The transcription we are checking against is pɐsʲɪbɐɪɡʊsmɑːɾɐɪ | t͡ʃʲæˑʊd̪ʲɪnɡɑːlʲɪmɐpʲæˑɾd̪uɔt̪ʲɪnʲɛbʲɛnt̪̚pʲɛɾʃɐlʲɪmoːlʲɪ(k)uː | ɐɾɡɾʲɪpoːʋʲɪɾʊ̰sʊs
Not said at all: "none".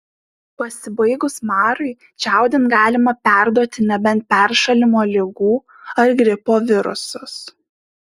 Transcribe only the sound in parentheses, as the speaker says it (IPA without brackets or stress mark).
ɡ